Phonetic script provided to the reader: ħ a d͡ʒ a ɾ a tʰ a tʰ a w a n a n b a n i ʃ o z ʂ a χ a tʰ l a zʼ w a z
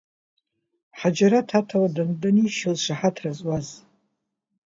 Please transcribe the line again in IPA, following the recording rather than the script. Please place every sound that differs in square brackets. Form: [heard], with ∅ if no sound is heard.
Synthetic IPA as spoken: ħ a d͡ʒ a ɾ a tʰ a tʰ a w a [d] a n [d] a n i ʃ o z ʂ a [ħ] a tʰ [r] a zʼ w a z